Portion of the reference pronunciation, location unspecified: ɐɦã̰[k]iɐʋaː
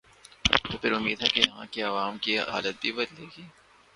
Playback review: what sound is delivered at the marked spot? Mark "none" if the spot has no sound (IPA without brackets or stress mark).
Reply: k